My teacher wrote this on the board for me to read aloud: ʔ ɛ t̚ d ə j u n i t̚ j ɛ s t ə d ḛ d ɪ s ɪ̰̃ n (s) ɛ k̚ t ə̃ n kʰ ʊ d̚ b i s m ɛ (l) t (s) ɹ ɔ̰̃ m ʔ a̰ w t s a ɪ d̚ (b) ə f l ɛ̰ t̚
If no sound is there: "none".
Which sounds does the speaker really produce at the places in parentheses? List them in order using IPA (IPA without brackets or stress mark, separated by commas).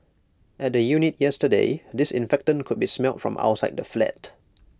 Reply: f, l, f, d